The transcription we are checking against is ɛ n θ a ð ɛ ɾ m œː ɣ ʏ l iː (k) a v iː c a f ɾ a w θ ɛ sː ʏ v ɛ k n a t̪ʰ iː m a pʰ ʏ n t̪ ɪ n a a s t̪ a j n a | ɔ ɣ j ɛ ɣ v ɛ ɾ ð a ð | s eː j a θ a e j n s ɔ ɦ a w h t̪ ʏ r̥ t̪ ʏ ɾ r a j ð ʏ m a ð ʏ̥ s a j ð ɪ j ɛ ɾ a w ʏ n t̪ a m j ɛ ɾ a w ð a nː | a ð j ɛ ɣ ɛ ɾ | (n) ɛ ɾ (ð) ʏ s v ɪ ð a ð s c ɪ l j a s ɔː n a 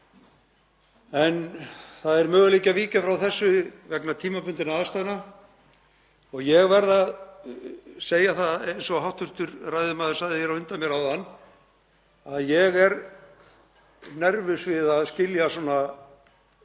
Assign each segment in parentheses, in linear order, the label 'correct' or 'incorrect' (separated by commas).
incorrect, correct, incorrect